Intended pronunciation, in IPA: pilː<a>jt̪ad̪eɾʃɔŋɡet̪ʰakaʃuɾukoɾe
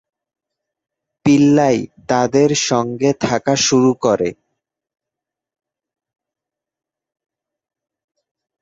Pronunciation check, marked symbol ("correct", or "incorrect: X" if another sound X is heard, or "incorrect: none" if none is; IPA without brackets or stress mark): correct